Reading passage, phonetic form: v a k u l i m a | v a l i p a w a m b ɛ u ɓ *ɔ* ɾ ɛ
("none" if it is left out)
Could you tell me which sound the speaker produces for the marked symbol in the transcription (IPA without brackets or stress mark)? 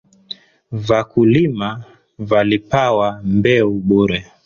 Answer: u